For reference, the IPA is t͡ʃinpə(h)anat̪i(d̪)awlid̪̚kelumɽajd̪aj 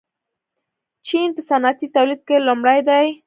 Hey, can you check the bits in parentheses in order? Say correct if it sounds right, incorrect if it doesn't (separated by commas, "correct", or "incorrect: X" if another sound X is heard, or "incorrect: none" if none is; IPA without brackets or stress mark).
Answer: incorrect: s, incorrect: t̪